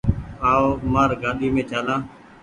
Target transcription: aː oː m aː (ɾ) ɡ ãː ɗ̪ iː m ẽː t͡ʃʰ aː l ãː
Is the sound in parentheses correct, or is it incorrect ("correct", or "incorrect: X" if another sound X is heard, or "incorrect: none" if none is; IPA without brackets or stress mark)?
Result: correct